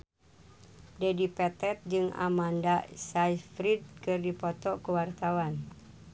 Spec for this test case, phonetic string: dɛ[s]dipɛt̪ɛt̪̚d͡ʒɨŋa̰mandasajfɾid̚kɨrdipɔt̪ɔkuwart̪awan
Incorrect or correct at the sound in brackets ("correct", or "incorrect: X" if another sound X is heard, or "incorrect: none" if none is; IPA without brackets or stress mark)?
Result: incorrect: none